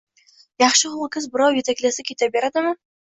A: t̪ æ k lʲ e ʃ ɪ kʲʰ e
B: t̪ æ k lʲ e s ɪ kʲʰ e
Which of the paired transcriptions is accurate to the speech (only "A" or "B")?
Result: B